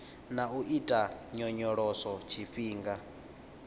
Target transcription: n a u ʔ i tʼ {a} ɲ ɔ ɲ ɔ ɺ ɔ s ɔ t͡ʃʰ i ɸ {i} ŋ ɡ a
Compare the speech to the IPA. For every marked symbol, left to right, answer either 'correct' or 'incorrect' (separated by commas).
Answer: correct, incorrect